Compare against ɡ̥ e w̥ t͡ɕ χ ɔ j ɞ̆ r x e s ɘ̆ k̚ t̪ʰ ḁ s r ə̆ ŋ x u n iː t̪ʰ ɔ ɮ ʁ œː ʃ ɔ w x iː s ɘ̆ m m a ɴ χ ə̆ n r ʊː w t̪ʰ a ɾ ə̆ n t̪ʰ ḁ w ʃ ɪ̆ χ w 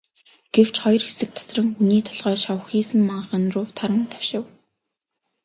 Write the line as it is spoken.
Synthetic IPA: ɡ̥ e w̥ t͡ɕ χ ɔ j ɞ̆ r x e s ɘ̆ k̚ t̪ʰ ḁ s r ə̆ ŋ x u n iː t̪ʰ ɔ ɮ ʁ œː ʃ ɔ w x iː s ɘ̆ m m a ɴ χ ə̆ n r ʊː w t̪ʰ a ɾ ə̆ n t̪ʰ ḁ w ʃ ɪ̆ w